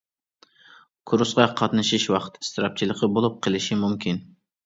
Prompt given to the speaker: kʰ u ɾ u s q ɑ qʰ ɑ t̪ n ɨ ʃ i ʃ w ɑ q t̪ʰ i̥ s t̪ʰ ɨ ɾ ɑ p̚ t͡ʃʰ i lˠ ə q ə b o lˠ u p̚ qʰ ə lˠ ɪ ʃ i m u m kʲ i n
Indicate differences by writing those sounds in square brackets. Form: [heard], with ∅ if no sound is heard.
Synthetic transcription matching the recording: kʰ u ɾ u s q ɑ qʰ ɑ t̪ n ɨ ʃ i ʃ w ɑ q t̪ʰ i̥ s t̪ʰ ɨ ɾ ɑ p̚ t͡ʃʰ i lˠ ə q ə b o lˠ u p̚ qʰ ə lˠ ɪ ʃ i m u m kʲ i n